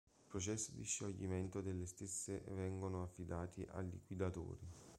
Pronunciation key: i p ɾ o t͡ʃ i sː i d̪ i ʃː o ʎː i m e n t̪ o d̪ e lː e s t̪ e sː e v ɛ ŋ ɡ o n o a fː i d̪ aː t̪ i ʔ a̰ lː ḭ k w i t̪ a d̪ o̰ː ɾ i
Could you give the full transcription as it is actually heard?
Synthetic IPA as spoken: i p ɾ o t͡ʃ ɛ sː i d̪ i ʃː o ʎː i m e n t̪ o d̪ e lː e s t̪ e sː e v ɛ ŋ ɡ o n o a fː i d̪ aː t̪ i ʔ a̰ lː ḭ k w i d̪ a t̪ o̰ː ɾ i

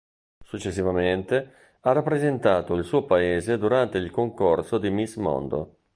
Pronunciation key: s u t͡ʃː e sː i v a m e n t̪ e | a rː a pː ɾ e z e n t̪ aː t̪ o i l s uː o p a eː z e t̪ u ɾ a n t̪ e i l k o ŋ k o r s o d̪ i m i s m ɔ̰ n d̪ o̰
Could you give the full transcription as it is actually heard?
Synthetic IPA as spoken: s u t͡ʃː e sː i v a m e n t̪ e | a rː a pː ɾ e z e n t̪ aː t̪ o i l s uː o p a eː z e d̪ u ɾ a n t̪ e i l k o ŋ k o r s o d̪ i m i s m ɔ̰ n d̪ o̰

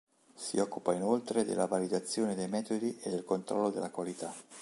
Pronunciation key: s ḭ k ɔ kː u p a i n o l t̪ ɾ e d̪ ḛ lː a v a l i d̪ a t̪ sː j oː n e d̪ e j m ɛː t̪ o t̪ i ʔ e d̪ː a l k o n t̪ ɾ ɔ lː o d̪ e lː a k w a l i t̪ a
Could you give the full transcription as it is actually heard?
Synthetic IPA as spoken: s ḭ ɔ kː u p a i n o l t̪ ɾ e d̪ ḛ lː a v a l i d̪ a t̪ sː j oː n e d̪ e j m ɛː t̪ o d̪ i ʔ e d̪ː e l k o n t̪ ɾ ɔ lː o d̪ e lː a k w a l i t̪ a

